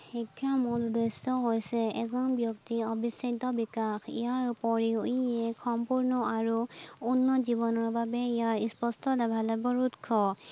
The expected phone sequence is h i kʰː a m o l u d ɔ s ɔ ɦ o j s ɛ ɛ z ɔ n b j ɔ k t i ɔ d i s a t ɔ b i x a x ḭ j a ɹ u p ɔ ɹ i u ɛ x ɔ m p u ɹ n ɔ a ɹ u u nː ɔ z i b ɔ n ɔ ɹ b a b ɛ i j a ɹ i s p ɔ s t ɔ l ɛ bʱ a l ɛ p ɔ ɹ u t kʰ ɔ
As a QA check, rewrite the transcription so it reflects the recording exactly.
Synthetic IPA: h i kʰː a m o l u d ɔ s ɔ ɦ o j s ɛ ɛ z ɔ n b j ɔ k t i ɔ b i s a t ɔ b i k a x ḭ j a ɹ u p ɔ ɹ i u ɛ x ɔ m p u ɹ n ɔ a ɹ u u nː ɔ z i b ɔ n ɔ ɹ b a b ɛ i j a ɹ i s p ɔ s t ɔ l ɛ bʱ a l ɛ b ɔ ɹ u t kʰ ɔ

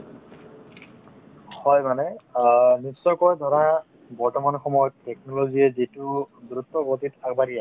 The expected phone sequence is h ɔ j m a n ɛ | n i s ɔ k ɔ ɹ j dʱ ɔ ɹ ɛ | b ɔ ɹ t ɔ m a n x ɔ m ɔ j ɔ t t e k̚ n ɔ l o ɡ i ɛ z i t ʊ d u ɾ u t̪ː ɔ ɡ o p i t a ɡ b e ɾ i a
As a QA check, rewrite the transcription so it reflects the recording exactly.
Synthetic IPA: h ɔ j m a n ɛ | n i s ɔ k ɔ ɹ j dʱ ɔ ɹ a | b ɔ ɹ t ɔ m a n x ɔ m ɔ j ɔ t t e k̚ n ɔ l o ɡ i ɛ z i t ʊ d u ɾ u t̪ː ɔ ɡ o t i t a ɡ b a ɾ i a

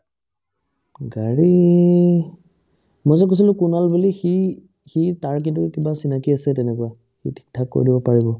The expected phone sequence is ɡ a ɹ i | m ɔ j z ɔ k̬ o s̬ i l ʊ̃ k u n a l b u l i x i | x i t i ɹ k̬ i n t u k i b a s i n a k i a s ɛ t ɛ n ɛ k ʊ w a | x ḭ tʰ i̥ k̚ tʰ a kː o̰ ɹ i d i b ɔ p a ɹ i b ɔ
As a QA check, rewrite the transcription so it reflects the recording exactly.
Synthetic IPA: ɡ a ɹ i | m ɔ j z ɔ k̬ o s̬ i l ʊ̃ k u n a l b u l i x i | x i t a ɹ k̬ i n t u k i b a s i n a k i a s ɛ t ɛ n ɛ k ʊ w a | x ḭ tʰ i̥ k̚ tʰ a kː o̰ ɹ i d i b ɔ p a ɹ i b ɔ

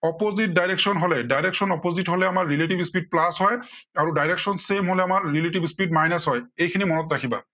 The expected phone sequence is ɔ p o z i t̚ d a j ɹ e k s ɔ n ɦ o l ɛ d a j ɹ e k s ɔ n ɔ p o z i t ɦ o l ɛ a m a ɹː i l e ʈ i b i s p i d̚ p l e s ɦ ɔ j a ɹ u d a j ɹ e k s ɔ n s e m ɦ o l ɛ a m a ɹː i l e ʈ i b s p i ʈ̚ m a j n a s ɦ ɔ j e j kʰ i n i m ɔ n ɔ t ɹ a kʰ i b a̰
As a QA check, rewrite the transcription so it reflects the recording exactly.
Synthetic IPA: ɔ p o z i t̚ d a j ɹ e k s ɔ n ɦ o l ɛ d a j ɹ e k s ɔ n ɔ p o z i t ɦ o l ɛ a m a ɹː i l e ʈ i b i s p i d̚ p l a s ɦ ɔ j a ɹ u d a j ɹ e k s ɔ n s e m ɦ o l ɛ a m a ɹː i l e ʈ i b s p i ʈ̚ m a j n a s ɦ ɔ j e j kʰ i n i m ɔ n ɔ t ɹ a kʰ i b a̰

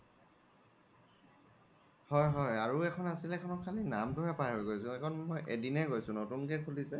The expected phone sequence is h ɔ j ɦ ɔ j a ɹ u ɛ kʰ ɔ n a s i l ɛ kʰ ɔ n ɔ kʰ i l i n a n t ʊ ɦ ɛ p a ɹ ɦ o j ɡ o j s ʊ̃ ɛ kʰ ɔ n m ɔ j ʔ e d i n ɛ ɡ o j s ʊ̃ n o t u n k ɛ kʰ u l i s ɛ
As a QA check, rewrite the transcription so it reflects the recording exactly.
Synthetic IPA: h ɔ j ɦ ɔ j a ɹ u ɛ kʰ ɔ n a s i l ɛ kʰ ɔ n ɔ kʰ a l i n a m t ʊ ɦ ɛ p a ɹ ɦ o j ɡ o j s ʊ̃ ɛ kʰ ɔ n m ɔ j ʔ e d i n ɛ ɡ o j s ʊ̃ n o t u n k ɛ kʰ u l i s ɛ

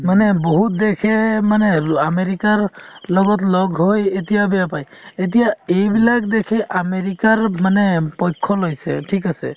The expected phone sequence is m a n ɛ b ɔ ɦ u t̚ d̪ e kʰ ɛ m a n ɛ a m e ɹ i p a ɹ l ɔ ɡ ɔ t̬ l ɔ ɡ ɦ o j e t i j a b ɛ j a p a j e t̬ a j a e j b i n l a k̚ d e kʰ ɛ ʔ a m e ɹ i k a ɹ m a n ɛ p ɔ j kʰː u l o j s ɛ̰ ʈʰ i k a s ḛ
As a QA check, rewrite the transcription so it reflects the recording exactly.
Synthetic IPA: m a n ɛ b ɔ ɦ u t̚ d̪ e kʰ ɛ m a n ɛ a m e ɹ i k a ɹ l ɔ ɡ ɔ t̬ l ɔ ɡ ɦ o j e t i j a b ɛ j a p a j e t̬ i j a e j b i l a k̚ d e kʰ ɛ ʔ a m e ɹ i k a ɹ m a n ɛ p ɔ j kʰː ɔ l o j s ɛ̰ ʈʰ i k a s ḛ

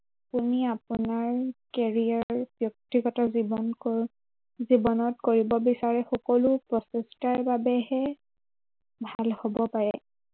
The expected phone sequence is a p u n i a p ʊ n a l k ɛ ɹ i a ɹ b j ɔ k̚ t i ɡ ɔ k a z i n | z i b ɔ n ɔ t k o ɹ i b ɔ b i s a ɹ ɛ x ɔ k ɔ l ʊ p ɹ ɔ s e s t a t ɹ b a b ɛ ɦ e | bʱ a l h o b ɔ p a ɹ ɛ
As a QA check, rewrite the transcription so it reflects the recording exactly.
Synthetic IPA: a p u n i a p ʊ n a ɹ k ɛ ɹ i a ɹ b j ɔ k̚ t i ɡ ɔ t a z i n | z i b ɔ n ɔ t k o ɹ i b ɔ b i s a ɹ ɛ x ɔ k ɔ l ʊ p ɹ ɔ s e s t a ɹ b a b ɛ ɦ ɛ | bʱ a l h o b ɔ p a ɹ ɛ

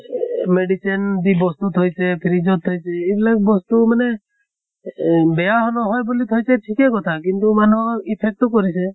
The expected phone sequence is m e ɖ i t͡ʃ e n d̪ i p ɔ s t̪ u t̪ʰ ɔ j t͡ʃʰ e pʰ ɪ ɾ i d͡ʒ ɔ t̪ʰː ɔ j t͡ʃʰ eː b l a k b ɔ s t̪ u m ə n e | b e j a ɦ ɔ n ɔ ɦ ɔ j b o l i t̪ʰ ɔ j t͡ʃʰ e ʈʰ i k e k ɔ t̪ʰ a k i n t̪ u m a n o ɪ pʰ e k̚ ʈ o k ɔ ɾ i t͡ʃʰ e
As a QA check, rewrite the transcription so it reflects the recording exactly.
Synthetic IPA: m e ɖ i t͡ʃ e n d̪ i b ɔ s t̪ u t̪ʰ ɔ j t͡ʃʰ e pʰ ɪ ɾ i d͡ʒ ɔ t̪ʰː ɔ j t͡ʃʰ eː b l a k b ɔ s t̪ u m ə n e | b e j a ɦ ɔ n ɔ ɦ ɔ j b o l i t̪ʰ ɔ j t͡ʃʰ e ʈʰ i k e k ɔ t̪ʰ a k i n t̪ u m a n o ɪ pʰ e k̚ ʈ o k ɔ ɾ i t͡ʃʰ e

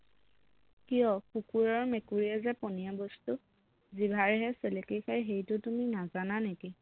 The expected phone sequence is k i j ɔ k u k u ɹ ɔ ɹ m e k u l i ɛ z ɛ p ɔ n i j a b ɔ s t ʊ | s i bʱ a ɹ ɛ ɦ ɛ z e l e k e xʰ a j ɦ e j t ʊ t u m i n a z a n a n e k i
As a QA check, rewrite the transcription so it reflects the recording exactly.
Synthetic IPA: k i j ɔ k u k u ɹ ɔ ɹ m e k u ɹ i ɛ z ɛ p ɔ n i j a b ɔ s t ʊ | z i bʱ a ɹ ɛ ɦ ɛ s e l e k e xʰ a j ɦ e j t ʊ t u m i n a z a n a n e k i

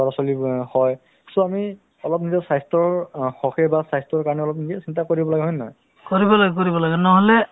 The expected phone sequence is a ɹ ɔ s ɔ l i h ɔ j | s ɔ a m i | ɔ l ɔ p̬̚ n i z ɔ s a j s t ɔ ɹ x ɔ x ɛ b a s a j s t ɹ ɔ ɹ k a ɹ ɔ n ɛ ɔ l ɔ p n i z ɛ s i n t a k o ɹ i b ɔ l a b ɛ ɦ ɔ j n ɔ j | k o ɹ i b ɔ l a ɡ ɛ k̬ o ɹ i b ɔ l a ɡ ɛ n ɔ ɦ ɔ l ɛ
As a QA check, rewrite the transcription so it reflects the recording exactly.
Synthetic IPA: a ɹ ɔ s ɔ l i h ɔ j | s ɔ a m i | ɔ l ɔ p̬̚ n i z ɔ s a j s t ɔ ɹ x ɔ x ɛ b a s a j s t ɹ ɔ ɹ k a ɹ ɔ n ɛ ɔ l ɔ p n i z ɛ s i n t a k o ɹ i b ɔ l a ɡ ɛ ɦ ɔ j n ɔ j | k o ɹ i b ɔ l a ɡ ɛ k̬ o ɹ i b ɔ l a ɡ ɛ n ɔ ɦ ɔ l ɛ

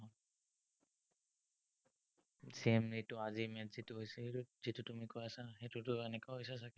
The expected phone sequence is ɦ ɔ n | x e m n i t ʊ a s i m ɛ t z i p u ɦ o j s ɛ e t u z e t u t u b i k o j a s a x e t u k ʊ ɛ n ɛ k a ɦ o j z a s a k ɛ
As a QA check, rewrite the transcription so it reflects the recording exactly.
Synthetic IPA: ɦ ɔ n | s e m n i t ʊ a z i m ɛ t z i t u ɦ o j s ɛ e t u z i t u t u m i k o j a s a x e t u t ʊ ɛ n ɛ k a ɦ o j s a s a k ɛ

